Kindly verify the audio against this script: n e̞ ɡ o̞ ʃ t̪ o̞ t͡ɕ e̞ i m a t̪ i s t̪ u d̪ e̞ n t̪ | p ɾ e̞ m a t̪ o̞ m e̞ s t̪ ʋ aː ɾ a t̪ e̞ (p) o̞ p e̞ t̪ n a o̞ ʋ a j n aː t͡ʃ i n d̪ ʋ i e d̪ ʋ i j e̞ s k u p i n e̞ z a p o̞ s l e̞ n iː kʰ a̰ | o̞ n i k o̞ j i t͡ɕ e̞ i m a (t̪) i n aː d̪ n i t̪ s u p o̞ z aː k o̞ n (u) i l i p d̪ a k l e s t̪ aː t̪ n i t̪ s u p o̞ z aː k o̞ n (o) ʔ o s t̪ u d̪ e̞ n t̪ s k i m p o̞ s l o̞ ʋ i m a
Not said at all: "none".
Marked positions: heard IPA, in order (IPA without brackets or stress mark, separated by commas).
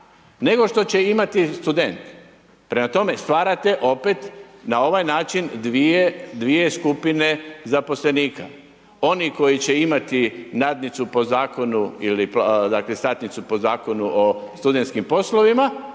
ʔ, t̪, u, u